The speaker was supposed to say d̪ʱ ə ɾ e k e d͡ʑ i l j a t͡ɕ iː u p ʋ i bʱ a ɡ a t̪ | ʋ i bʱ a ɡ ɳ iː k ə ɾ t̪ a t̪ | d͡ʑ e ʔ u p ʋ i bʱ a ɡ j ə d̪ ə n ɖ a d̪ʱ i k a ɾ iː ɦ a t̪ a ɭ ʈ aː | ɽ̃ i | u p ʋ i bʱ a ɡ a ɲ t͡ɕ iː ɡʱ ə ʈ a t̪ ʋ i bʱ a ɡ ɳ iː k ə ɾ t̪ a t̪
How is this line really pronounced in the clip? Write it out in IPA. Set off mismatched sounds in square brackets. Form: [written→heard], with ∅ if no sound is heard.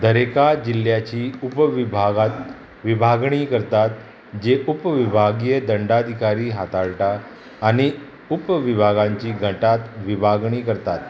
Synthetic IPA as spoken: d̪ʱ ə ɾ e k [e→a] d͡ʑ i l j a t͡ɕ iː u p ʋ i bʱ a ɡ a t̪ | ʋ i bʱ a ɡ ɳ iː k ə ɾ t̪ a t̪ | d͡ʑ e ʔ u p ʋ i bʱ a ɡ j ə d̪ ə [n→ɳ] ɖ a d̪ʱ i k a ɾ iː ɦ a t̪ a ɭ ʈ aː | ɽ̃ i | u p ʋ i bʱ a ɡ a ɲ t͡ɕ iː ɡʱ ə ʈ a t̪ ʋ i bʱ a ɡ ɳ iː k ə ɾ t̪ a t̪